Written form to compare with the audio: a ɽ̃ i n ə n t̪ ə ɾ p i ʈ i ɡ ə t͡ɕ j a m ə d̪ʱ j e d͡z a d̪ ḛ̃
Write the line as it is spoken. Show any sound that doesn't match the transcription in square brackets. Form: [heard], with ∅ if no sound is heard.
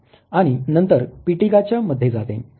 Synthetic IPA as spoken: a ɽ̃ i n ə n t̪ ə ɾ p i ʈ i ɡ [a] t͡ɕ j a m ə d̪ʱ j e d͡z a [t̪] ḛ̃